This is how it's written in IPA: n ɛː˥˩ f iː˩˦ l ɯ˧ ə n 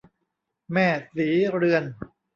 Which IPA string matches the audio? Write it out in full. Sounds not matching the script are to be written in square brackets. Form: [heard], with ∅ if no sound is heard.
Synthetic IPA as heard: [m] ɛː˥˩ [s] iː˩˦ [ɾ] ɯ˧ ə n